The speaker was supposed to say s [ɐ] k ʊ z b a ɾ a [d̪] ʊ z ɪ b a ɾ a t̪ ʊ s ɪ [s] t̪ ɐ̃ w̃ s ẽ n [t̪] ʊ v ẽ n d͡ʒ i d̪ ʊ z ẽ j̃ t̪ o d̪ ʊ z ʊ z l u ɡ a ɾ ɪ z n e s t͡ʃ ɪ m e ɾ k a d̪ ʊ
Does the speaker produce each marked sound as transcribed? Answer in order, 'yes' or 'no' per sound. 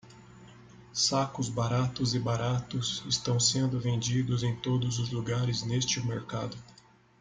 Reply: no, no, yes, no

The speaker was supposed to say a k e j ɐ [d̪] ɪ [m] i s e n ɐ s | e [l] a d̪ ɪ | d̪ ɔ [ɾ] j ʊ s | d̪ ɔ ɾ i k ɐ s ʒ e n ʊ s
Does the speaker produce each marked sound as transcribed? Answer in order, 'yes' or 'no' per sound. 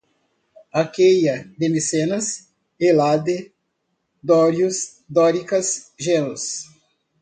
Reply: yes, yes, yes, yes

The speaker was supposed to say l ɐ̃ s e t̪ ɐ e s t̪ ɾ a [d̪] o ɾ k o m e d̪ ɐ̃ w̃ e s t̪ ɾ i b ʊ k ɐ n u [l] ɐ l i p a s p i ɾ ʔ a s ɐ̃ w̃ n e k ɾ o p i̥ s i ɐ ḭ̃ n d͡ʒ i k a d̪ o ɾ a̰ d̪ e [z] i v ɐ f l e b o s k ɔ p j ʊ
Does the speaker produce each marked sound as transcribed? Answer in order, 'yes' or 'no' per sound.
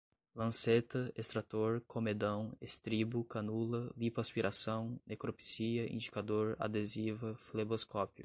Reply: no, yes, yes

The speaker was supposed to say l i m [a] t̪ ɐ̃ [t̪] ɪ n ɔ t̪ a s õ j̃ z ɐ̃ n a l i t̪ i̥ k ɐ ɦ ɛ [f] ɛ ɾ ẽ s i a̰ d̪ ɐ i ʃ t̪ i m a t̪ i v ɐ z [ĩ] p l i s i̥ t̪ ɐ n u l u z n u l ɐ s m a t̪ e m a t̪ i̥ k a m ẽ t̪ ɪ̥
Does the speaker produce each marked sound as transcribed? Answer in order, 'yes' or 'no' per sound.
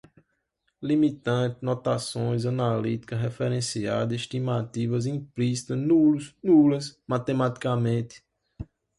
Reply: no, yes, yes, yes

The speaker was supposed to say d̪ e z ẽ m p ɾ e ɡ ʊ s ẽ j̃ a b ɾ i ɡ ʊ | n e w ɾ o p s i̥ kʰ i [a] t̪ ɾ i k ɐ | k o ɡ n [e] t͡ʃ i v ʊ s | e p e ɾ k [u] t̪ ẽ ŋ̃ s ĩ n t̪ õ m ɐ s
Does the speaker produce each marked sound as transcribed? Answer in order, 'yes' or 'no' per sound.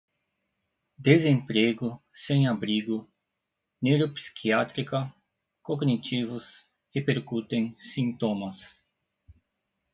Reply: yes, no, yes

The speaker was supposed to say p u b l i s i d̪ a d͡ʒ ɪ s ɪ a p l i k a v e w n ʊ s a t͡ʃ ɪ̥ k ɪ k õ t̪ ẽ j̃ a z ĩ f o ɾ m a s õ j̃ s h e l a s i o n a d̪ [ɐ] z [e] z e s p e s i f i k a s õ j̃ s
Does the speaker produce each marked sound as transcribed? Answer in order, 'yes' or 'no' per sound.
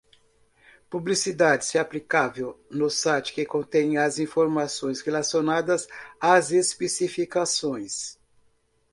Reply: yes, no

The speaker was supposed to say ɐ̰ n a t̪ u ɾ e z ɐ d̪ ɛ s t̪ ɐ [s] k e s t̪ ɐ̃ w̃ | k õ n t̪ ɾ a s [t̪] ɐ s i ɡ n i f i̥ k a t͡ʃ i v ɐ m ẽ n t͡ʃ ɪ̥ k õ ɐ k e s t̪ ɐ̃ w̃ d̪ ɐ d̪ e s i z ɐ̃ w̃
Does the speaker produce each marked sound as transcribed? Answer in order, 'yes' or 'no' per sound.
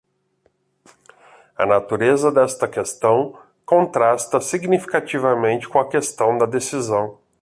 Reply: no, yes

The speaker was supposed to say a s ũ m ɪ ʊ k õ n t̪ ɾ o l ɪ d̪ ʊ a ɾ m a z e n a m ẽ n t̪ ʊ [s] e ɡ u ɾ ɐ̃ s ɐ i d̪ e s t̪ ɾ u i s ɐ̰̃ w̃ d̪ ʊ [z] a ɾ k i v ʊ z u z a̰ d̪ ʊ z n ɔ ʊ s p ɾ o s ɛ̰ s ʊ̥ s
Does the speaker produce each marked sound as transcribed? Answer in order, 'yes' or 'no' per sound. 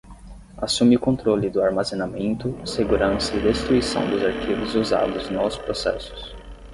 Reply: yes, yes

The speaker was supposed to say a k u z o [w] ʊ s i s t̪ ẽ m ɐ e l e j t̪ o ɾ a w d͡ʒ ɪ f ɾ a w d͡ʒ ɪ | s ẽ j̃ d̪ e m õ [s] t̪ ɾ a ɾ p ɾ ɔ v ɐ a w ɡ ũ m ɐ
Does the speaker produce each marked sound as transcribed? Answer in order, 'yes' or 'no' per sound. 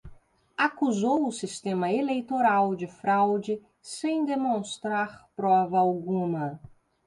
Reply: yes, yes

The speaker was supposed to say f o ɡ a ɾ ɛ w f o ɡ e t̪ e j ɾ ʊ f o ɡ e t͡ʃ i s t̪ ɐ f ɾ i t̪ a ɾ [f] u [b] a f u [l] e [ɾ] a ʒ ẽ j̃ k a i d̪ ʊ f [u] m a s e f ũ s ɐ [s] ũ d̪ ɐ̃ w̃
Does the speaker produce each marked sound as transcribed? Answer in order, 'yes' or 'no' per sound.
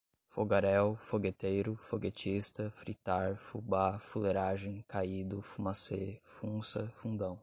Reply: yes, yes, yes, yes, yes, no

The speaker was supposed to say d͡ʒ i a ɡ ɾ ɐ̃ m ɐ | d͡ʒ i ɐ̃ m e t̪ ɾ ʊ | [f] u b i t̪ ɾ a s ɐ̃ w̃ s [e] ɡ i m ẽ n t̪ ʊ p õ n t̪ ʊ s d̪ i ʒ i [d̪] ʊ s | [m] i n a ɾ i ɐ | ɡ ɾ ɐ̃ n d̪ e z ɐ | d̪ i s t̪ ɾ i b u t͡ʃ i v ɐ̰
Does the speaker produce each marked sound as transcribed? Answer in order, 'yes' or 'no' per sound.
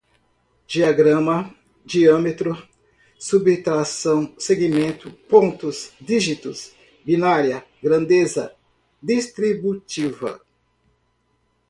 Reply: no, yes, no, no

